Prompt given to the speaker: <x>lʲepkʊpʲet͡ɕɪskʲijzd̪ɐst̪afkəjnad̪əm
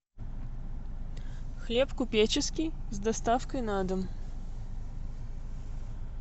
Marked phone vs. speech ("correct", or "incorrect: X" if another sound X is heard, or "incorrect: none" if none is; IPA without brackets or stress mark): correct